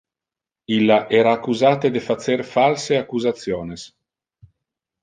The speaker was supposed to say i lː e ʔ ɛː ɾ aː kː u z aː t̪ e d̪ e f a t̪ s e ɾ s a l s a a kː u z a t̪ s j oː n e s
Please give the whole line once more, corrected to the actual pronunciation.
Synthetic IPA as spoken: i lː a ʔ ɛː ɾ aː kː u z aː t̪ e d̪ e f a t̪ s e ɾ f a l s e a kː u z a t̪ s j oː n e s